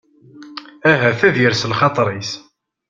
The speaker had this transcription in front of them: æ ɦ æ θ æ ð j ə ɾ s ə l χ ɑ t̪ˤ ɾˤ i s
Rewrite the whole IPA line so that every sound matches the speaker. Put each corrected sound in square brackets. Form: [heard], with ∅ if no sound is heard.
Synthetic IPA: æ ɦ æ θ æ ð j ə ɾ s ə l χ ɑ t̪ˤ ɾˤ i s